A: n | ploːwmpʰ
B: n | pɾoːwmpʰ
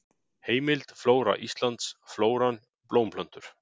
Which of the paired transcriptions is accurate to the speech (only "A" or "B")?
A